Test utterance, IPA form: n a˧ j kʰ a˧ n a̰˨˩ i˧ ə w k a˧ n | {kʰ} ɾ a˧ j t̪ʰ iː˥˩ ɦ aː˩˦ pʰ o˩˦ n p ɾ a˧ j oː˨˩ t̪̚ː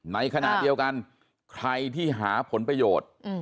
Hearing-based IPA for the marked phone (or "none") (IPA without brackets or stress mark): kʰ